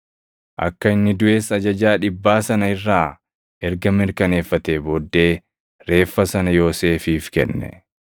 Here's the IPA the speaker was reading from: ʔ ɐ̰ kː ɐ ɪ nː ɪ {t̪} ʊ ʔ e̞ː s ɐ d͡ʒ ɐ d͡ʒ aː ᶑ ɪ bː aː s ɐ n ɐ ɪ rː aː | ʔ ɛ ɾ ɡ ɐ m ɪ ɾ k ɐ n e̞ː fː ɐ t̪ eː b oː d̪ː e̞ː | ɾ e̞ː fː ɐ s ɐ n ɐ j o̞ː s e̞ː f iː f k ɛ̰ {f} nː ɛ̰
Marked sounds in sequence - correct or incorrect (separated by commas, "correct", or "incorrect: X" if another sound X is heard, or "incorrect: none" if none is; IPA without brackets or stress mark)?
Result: incorrect: d̪, incorrect: none